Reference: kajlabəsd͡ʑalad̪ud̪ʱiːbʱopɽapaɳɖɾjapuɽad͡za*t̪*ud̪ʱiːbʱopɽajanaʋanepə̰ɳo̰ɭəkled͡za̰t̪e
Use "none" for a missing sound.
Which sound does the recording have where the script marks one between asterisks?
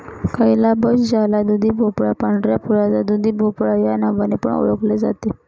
d̪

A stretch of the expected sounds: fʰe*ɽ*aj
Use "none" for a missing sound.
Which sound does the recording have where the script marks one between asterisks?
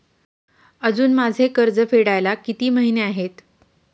ɽ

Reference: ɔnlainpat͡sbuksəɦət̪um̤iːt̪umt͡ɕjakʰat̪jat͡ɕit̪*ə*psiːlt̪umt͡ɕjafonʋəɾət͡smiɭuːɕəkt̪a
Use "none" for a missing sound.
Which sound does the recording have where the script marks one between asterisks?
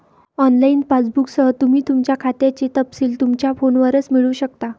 ə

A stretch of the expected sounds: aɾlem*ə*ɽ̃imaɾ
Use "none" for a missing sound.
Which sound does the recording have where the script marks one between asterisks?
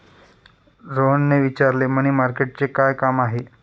ə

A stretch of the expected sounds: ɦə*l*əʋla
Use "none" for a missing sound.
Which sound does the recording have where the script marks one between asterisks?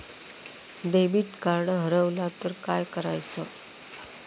ɾ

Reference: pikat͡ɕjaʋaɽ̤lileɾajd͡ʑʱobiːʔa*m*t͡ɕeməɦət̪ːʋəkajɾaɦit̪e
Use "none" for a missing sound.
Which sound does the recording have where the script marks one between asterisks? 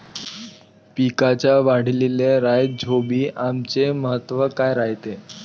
m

